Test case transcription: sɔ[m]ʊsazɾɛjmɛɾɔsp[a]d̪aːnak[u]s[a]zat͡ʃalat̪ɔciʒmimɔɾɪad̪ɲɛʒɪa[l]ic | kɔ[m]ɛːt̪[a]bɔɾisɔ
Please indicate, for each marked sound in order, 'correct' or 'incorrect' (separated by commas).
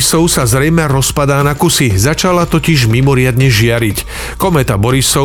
incorrect, correct, correct, incorrect, incorrect, correct, correct